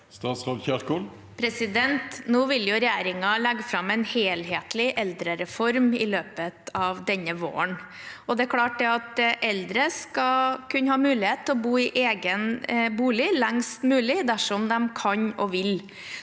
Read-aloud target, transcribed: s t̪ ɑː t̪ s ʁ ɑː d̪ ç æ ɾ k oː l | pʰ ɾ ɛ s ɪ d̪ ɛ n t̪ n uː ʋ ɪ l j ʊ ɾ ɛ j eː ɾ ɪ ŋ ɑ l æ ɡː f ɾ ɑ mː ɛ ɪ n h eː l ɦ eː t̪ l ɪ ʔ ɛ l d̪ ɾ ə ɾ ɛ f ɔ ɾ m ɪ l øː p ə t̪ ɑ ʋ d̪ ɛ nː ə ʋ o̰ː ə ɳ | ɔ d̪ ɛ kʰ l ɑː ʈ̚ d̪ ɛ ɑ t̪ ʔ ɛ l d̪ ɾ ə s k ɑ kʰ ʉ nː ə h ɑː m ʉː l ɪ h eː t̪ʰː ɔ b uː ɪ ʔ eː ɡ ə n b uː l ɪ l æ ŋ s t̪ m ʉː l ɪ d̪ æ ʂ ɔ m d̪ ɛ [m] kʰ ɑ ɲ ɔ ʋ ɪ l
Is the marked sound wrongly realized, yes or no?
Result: no